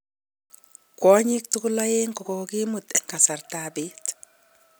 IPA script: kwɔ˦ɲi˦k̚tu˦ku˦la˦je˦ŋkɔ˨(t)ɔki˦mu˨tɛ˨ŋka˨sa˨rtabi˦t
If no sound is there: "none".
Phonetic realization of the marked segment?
k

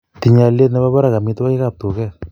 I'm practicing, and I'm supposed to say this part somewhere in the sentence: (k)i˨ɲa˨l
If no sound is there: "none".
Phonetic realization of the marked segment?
t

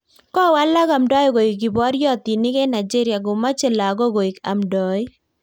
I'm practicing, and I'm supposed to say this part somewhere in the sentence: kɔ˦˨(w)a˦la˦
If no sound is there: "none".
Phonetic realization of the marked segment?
w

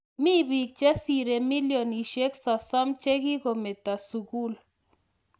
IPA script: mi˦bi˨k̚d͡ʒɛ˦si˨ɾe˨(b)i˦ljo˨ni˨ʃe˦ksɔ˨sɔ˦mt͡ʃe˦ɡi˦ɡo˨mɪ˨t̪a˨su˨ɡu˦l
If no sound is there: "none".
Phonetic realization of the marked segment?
m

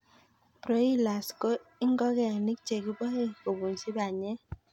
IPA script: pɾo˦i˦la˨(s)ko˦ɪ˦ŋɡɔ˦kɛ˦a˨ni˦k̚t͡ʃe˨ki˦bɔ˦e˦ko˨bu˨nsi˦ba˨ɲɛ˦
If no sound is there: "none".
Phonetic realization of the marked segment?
s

